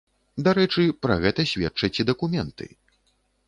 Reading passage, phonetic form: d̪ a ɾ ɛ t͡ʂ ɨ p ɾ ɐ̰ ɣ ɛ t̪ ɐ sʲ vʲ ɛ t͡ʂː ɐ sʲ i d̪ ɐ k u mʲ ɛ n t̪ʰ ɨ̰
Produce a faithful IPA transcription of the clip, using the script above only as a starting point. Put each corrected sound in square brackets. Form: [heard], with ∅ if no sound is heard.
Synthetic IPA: d̪ a ɾ ɛ t͡ʂ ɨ p ɾ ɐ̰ ɣ ɛ t̪ ɐ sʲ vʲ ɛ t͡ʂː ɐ [t͡sʲ] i d̪ ɐ k u mʲ ɛ n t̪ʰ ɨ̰